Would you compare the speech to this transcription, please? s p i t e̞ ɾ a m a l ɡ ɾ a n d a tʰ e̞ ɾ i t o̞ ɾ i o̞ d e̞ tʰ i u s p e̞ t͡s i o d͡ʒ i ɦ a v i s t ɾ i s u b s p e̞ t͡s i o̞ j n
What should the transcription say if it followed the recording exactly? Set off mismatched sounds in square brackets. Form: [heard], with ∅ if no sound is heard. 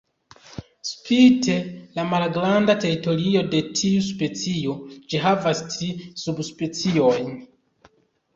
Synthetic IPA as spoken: s p i t e̞ [l] a m a l ɡ ɾ a n d a [t] e̞ ɾ i t o̞ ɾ i o̞ d e̞ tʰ i u s p e̞ t͡s i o d͡ʒ i ɦ a v [a] s t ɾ i s u b s p e̞ t͡s i o̞ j n